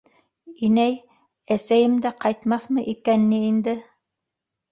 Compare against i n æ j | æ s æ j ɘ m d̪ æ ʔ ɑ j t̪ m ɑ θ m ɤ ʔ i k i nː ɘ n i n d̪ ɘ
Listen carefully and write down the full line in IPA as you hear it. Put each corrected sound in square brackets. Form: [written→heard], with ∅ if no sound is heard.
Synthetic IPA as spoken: i n æ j | æ s æ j ɘ m d̪ æ [ʔ→q] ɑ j t̪ m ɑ θ m ɤ ʔ i k [i→æ] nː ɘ [n→∅] i n d̪ ɘ